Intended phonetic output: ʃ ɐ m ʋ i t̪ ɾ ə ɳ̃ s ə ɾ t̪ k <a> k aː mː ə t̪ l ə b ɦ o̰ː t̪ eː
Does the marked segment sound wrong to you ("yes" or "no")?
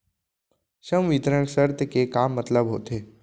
yes